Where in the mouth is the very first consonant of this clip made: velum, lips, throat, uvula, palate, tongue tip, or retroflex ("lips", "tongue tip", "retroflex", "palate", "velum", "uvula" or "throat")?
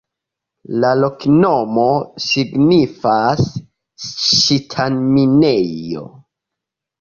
tongue tip